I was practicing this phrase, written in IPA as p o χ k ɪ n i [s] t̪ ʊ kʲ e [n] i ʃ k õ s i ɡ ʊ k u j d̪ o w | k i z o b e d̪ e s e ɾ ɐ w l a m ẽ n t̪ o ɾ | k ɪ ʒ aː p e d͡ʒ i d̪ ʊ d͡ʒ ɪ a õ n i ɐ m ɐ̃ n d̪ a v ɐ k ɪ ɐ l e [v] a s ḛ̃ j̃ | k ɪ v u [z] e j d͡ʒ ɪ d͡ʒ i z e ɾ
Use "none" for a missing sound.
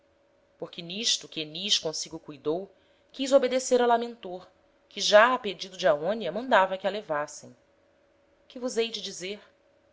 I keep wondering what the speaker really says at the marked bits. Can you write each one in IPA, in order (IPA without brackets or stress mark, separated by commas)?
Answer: ʃ, n, v, z